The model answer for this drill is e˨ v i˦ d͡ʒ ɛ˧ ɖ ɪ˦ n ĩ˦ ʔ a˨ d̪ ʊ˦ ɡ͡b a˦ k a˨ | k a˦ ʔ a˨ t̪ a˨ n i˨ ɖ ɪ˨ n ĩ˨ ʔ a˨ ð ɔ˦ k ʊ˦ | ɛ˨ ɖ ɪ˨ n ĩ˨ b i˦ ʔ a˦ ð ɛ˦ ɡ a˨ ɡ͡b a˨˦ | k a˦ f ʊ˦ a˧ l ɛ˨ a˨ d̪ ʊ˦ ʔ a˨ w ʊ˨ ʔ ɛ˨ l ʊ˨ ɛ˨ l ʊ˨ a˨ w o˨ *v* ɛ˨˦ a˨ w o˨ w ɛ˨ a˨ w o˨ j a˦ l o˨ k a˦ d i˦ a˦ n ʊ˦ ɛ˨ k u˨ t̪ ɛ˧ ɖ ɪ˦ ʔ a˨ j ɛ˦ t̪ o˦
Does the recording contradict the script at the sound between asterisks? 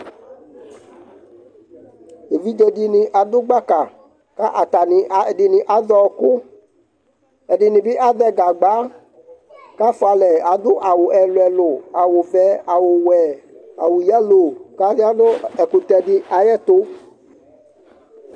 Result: no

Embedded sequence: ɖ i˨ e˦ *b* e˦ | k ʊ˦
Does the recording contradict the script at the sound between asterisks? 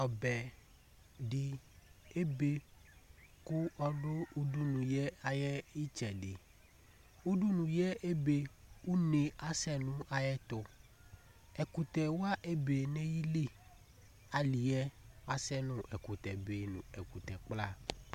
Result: no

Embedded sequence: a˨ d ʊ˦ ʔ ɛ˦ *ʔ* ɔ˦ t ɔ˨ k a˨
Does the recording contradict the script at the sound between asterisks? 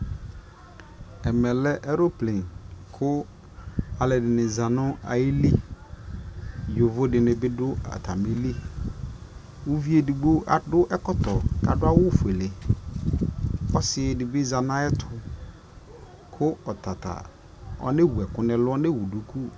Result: yes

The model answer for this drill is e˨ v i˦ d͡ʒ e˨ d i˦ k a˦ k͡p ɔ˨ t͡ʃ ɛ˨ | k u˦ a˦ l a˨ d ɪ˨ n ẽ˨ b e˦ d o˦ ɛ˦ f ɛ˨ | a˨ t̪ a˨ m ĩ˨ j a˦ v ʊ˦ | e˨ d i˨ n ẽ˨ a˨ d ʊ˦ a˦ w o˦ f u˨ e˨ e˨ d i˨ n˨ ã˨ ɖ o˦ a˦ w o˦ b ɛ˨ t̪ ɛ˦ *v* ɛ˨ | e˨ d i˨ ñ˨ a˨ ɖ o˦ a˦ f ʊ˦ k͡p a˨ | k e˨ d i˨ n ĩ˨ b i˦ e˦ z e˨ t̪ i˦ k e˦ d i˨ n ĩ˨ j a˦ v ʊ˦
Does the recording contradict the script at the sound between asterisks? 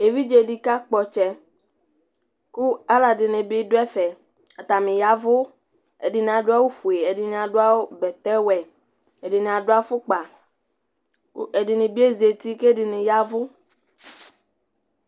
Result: yes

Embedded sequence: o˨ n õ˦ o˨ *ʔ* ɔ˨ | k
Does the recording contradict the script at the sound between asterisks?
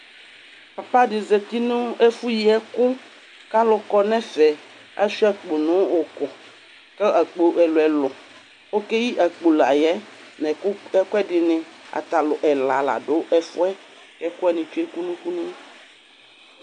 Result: yes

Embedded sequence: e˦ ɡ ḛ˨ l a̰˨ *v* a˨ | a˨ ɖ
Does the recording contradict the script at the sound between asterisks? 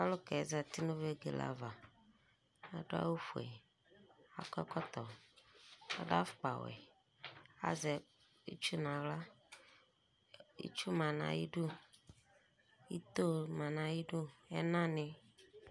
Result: no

